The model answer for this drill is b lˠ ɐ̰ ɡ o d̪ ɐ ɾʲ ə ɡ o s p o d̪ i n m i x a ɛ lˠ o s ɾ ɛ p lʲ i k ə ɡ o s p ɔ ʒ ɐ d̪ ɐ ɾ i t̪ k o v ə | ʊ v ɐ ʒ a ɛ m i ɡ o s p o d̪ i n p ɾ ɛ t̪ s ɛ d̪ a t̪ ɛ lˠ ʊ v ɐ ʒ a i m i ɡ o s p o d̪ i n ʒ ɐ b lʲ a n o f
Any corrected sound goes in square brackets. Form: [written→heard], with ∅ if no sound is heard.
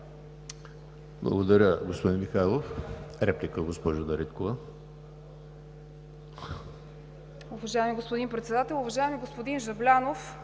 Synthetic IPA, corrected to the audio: b lˠ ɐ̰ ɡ o d̪ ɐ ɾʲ ə ɡ o s p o d̪ i n m i x a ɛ lˠ o [s→f] ɾ ɛ p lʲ i k ə ɡ o s p ɔ ʒ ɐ d̪ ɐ ɾ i t̪ k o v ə | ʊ v ɐ ʒ a ɛ m i ɡ o s p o d̪ i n p ɾ ɛ t̪ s ɛ d̪ a t̪ ɛ lˠ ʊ v ɐ ʒ a [i→ɛ] m i ɡ o s p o d̪ i n ʒ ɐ b lʲ a n o f